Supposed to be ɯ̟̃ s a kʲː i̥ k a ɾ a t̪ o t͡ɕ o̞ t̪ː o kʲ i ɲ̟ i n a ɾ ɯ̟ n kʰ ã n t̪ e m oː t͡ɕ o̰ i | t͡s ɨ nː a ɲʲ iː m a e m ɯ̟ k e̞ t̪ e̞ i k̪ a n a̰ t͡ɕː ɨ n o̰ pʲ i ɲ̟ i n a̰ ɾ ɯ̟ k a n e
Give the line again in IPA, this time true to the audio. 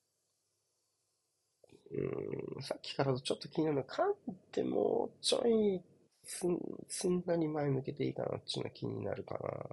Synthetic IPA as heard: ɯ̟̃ s a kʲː i̥ k a ɾ a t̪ o t͡ɕ o̞ t̪ː o kʲ i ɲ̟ i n a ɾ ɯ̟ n kʰ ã n t̪ e m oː t͡ɕ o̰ i | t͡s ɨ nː a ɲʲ i m a e m ɯ̟ k e̞ t̪ e̞ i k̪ a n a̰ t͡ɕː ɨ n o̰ kʲ i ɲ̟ i n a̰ ɾ ɯ̟ k a n a